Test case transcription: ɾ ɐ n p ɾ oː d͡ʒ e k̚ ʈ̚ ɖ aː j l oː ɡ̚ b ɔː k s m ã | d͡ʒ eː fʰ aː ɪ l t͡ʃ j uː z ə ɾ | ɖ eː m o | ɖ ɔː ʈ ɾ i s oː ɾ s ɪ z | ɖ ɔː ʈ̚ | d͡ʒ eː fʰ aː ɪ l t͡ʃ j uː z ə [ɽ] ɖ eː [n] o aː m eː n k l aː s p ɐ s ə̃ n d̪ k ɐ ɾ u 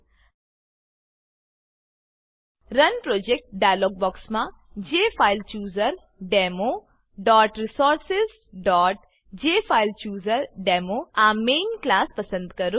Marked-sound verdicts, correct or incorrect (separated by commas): incorrect, incorrect